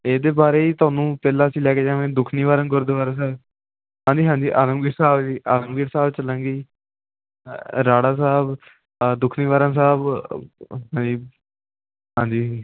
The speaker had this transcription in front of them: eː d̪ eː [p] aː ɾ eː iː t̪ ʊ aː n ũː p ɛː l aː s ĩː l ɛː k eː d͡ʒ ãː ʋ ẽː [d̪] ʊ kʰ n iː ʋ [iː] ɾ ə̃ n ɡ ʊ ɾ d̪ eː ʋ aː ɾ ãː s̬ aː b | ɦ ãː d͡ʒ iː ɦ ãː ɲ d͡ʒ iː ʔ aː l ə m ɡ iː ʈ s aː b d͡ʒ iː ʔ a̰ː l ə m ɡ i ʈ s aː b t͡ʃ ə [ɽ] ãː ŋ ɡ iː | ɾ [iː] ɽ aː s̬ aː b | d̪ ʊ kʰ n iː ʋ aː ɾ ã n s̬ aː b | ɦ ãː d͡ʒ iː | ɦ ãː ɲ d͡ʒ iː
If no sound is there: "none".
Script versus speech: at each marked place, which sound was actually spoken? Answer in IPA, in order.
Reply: b, d̪, aː, l, aː

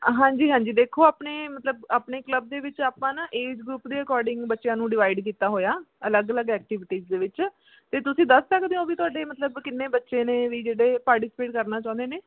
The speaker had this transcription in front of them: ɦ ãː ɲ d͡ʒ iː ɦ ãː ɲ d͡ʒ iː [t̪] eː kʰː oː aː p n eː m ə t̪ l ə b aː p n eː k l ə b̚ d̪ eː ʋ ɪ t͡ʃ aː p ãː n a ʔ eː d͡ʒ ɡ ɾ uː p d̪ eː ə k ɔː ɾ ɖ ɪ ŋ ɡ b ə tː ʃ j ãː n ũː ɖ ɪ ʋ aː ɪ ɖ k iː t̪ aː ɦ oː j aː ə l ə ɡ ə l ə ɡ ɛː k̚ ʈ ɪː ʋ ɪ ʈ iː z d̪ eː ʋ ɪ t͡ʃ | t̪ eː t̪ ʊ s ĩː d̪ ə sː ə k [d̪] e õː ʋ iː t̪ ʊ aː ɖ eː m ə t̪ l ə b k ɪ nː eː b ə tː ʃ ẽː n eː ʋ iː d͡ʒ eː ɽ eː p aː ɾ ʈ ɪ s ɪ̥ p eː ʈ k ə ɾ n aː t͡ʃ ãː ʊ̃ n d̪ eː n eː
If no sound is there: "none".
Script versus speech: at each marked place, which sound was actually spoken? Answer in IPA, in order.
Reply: d̪, d̪

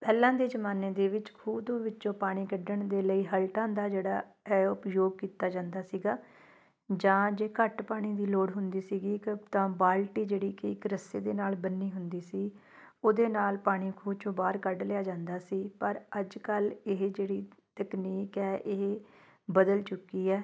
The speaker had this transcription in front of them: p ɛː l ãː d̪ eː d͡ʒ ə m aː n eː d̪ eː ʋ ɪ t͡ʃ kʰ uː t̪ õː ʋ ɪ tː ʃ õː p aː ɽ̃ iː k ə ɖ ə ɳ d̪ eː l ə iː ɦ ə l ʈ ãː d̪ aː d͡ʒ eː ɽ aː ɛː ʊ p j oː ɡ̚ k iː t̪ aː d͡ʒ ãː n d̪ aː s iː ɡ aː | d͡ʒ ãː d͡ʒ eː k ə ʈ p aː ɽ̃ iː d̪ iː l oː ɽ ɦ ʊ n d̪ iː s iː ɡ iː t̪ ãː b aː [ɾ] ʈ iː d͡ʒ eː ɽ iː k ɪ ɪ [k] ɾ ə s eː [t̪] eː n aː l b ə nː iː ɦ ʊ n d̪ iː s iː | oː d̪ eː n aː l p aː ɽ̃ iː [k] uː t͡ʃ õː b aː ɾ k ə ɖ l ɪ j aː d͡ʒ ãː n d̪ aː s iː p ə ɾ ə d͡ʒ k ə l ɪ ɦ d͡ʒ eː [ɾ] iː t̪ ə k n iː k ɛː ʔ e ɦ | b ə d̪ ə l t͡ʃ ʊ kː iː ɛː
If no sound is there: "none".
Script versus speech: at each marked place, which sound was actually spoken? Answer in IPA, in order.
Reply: l, k, d̪, kʰ, ɽ

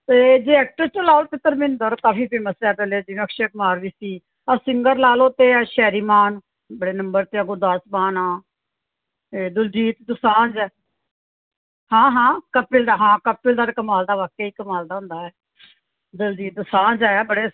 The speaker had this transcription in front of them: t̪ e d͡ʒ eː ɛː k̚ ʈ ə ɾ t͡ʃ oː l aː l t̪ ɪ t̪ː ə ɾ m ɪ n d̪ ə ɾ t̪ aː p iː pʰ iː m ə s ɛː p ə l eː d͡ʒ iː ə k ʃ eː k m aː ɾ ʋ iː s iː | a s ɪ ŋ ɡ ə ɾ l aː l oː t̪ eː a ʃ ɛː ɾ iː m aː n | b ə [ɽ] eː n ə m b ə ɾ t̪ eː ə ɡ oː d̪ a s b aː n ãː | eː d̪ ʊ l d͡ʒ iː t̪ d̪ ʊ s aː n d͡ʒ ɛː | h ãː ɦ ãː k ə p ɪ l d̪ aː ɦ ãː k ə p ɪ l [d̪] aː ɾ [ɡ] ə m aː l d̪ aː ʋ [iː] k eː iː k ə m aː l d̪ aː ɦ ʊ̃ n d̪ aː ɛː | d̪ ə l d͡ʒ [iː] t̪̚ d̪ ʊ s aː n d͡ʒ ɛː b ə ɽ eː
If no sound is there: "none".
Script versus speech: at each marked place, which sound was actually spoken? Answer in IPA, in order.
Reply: ɽ, d̪, k, aː, iː

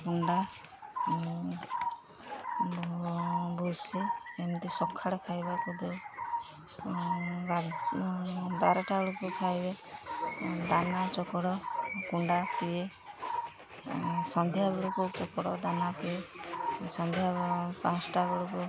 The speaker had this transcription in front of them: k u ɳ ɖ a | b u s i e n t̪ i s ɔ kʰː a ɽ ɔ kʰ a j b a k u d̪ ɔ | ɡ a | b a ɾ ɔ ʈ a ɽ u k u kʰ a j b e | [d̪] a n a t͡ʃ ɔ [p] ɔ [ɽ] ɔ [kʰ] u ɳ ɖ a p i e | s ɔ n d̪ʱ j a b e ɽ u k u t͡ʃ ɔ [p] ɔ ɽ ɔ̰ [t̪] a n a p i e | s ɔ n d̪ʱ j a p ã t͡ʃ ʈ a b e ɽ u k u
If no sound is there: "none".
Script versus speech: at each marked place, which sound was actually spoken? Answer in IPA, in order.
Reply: d̪, k, ɽ, k, k, d̪

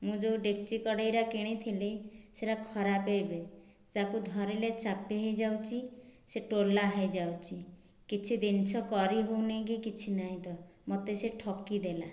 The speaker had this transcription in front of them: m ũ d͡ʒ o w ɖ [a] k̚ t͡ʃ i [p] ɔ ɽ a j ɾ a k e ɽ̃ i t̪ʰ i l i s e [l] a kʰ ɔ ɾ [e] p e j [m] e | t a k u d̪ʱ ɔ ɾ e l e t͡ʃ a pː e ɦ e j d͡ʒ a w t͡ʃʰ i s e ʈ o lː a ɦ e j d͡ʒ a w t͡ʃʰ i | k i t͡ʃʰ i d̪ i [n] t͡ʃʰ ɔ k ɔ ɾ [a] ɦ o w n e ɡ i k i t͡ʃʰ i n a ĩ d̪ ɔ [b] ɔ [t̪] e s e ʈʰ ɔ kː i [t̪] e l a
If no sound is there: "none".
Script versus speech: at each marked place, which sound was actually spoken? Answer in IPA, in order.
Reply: e, k, ɾ, a, b, n, i, m, t̪, d̪

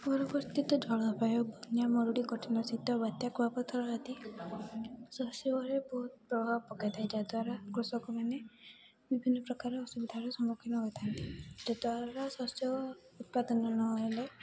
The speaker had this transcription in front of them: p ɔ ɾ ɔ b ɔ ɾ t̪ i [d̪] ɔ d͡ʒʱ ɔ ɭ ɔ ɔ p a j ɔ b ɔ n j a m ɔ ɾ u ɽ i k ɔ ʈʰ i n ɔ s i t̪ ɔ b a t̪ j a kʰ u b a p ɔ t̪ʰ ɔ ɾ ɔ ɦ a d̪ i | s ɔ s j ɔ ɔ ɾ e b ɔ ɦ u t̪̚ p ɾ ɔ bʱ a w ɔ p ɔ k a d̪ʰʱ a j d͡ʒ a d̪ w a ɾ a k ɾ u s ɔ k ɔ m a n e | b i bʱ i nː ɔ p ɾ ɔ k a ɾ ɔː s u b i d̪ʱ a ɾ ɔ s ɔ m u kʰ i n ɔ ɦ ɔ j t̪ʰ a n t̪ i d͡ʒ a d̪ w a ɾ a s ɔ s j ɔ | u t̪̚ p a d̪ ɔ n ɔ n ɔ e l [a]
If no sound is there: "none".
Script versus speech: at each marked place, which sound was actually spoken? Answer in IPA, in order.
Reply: t̪, e

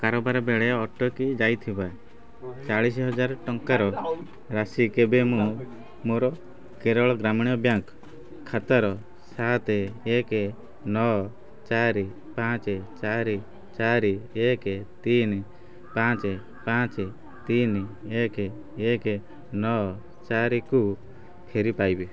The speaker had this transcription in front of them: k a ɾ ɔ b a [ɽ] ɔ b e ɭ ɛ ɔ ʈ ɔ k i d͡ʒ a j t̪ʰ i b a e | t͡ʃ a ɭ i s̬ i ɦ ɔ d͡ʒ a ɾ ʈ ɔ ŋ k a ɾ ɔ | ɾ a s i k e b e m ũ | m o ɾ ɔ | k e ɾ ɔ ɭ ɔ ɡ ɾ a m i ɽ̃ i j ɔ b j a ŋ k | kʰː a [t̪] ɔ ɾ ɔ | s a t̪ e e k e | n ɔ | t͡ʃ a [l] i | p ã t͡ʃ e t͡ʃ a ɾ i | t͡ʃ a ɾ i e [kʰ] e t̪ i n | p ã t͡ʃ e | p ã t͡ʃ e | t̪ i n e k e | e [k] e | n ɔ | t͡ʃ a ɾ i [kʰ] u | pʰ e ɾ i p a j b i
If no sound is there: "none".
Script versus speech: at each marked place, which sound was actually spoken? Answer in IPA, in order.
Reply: ɾ, t̪, ɾ, k, k, k

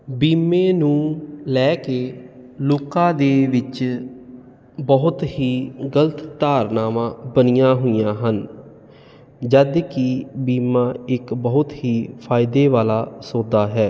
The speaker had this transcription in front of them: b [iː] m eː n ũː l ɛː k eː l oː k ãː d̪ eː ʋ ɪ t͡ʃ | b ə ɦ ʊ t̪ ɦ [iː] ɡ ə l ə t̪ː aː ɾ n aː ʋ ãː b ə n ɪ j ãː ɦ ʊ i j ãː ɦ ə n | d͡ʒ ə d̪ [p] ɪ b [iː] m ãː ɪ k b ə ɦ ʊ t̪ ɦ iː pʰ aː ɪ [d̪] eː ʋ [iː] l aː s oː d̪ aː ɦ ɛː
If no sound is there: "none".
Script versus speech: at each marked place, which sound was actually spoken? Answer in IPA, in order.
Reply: iː, iː, k, iː, d̪, aː

